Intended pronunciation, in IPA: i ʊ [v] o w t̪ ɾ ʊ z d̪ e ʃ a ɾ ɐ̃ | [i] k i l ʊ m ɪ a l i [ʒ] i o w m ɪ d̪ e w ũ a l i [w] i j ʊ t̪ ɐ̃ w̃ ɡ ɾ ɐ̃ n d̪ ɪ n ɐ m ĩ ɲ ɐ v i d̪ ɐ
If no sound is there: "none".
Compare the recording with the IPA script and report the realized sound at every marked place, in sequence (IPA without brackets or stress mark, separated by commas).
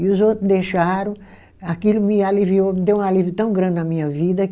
z, a, v, v